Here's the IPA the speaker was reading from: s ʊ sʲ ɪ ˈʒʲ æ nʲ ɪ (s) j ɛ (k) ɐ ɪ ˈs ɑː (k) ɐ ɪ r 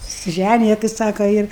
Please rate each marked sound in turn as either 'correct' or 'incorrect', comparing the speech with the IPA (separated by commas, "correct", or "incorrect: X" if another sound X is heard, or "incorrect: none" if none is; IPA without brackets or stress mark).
incorrect: none, incorrect: t, correct